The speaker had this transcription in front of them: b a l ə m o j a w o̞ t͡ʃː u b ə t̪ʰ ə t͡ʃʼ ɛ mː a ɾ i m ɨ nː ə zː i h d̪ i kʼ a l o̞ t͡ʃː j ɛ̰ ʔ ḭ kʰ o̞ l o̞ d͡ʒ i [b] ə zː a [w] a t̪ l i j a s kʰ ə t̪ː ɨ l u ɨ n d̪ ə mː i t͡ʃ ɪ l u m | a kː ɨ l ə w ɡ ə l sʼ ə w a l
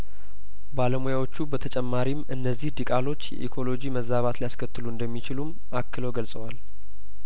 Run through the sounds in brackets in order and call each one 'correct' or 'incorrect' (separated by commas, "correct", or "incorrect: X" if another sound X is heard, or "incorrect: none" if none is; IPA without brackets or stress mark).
incorrect: m, incorrect: β